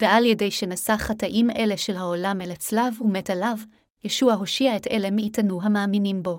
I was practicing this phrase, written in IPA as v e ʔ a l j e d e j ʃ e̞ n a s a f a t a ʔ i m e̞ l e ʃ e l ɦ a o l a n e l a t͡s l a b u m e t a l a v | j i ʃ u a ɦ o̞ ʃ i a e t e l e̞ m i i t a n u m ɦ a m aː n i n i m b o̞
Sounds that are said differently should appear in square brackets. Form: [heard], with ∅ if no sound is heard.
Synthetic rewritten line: v e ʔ a l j e d e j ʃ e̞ n a s a [χ] a t a ʔ i m e̞ l e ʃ e l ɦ a o l a [m] e l a t͡s l a [v] u m e t a l a v | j [e] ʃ u a ɦ o̞ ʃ i a e t e l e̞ m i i t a n u [∅] ɦ a m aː [m] i n i m b o̞